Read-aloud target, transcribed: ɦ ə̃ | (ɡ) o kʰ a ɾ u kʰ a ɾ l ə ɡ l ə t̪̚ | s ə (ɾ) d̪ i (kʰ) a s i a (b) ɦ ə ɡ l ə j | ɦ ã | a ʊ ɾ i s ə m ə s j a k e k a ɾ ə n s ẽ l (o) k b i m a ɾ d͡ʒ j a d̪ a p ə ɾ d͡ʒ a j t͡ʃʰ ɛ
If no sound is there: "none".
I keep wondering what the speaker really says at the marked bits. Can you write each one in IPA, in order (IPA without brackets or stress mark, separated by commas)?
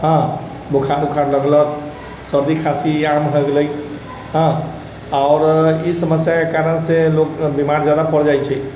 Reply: b, ɾ, kʰ, m, o